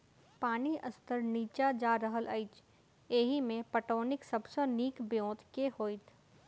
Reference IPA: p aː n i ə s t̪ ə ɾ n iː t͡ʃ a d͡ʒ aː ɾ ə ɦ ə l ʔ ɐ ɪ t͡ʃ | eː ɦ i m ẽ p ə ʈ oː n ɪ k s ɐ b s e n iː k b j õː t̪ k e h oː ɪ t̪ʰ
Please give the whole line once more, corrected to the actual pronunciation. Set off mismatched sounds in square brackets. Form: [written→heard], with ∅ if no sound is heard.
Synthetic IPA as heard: p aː n i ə s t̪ ə ɾ n iː t͡ʃ a d͡ʒ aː ɾ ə ɦ ə l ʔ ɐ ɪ t͡ʃ | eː ɦ i m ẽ p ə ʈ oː n ɪ k s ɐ b s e n iː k b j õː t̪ k e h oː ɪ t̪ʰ